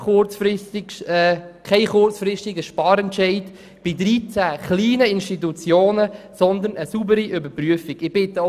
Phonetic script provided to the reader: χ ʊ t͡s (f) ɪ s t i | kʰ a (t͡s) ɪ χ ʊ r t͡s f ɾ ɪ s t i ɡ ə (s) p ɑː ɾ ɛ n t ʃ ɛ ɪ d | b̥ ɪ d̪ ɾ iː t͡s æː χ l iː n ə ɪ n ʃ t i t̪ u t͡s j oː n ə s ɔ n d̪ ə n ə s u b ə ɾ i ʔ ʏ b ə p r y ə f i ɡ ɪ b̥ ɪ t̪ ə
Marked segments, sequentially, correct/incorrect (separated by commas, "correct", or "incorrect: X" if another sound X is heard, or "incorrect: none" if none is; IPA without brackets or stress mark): correct, incorrect: none, incorrect: ʃ